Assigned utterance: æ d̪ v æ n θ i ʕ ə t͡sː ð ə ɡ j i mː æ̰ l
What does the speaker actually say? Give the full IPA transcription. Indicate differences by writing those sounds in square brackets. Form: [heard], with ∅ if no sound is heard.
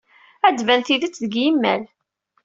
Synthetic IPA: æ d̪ v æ n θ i [ð] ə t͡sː ð ə ɡ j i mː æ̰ l